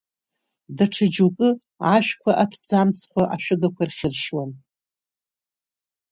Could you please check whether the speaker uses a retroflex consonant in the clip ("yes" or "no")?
yes